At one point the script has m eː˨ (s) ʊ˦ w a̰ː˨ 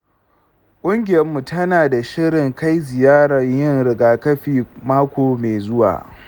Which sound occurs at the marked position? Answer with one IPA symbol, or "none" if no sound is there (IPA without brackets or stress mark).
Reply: z